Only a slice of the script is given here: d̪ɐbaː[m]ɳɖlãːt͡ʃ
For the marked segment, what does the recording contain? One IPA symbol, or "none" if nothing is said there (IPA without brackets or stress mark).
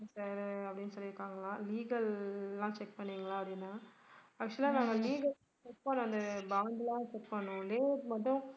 none